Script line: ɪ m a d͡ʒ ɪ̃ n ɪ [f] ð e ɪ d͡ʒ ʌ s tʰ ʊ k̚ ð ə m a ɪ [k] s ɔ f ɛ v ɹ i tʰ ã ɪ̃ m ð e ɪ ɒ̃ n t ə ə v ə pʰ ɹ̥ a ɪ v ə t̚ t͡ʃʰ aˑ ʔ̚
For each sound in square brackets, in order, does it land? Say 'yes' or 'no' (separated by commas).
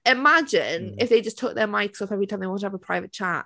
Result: yes, yes